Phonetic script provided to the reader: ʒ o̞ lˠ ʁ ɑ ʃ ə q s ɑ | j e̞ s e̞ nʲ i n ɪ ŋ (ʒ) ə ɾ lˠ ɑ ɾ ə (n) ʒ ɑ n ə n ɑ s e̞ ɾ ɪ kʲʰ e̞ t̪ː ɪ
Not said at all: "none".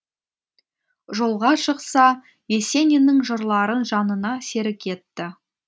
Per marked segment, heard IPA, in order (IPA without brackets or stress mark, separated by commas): ʒ, n